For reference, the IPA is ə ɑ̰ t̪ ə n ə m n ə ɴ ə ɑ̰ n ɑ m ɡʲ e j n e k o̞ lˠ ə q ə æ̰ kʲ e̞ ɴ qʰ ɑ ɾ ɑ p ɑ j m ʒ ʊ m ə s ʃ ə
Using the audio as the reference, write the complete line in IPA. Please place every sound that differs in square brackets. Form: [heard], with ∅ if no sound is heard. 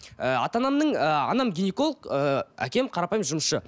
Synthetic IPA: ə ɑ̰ t̪ [ɑ] n [ɑ] m n ə ɴ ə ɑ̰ n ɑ m ɡʲ [i] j n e k o̞ lˠ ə q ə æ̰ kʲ e̞ [m] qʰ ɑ ɾ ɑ p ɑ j m ʒ ʊ m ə s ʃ ə